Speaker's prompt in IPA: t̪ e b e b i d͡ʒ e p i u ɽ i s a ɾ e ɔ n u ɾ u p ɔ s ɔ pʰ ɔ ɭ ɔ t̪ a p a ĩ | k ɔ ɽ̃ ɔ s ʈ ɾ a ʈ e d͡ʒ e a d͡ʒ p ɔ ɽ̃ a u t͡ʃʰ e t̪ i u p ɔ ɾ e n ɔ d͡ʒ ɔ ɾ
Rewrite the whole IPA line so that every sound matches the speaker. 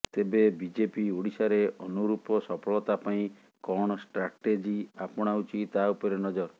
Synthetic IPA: t̪ e b e b i d͡ʒ e p i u ɽ i s a ɾ e ɔ n u ɾ u p ɔ s ɔ pʰ ɔ ɭ ɔ t̪ a p a ĩ | k ɔ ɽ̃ ɔ s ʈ ɾ a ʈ e d͡ʒ i a p ɔ ɽ̃ a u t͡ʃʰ i t̪ a u p ɔ ɾ e n ɔ d͡ʒ ɔ ɾ